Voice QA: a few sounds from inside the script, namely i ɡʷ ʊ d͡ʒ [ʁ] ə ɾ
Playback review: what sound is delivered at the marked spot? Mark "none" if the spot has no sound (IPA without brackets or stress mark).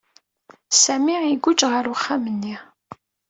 ʁ